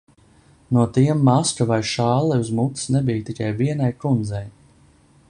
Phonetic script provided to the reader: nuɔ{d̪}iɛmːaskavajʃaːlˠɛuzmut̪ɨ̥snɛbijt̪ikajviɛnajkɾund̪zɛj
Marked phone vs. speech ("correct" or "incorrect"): incorrect